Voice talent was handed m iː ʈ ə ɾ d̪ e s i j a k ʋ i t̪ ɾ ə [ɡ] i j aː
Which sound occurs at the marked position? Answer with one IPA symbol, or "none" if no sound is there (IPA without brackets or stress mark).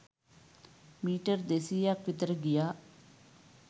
ɡ